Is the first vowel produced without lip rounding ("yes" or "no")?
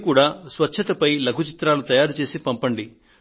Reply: no